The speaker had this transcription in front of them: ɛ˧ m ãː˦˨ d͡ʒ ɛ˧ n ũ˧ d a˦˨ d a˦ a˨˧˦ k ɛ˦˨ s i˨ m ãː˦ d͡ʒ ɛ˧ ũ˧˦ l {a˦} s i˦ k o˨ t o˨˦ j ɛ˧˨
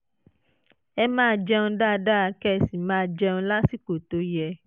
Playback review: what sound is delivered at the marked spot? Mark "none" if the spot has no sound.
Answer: a˦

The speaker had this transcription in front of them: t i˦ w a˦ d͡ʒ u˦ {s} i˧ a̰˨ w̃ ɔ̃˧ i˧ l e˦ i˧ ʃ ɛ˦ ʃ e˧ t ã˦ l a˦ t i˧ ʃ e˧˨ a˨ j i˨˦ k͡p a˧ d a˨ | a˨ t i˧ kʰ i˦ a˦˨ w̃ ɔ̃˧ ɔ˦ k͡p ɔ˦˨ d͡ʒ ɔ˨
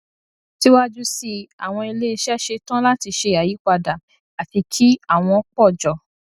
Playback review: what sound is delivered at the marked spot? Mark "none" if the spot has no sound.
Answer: s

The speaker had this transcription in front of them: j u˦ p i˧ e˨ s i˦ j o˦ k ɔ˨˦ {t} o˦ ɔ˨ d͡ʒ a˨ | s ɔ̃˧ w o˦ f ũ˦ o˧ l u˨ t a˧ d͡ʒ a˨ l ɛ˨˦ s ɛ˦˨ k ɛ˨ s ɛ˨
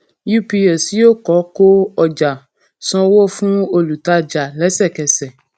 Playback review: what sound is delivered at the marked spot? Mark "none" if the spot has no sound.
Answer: k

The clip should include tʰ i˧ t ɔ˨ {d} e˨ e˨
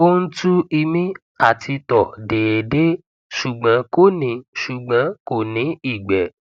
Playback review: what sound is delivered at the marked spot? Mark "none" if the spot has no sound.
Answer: d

